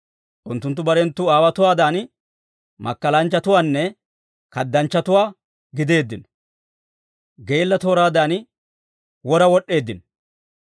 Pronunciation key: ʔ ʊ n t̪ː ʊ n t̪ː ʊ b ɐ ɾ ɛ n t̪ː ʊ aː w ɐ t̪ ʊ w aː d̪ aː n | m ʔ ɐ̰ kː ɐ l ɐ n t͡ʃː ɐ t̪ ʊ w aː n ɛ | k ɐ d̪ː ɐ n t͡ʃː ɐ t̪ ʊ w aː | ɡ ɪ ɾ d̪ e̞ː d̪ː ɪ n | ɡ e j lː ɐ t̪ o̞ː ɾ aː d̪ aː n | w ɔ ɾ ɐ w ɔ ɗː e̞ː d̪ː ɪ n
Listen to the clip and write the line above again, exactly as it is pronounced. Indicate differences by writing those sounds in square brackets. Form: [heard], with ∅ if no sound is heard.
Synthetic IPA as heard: ʔ ʊ n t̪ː ʊ n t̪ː ʊ b ɐ ɾ ɛ n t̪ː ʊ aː w ɐ t̪ ʊ w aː d̪ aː n | m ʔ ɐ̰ kː ɐ l ɐ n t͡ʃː ɐ t̪ ʊ w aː [nː] ɛ | k ɐ d̪ː ɐ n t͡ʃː ɐ t̪ ʊ w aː | ɡ ɪ [∅] d̪ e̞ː d̪ː ɪ n | ɡ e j lː ɐ t̪ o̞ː ɾ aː d̪ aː n | w ɔ ɾ ɐ w ɔ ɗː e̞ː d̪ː ɪ n